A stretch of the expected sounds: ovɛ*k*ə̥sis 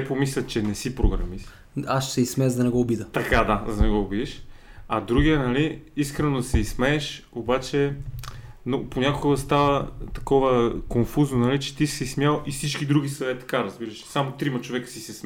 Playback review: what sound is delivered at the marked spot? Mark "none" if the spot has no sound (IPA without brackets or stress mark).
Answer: k